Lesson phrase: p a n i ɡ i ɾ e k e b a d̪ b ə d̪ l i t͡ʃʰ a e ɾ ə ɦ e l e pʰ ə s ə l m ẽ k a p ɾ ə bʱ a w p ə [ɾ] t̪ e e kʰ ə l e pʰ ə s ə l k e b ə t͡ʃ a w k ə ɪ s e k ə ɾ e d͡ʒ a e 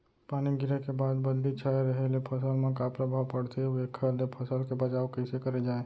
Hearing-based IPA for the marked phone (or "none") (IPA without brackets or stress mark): ɽ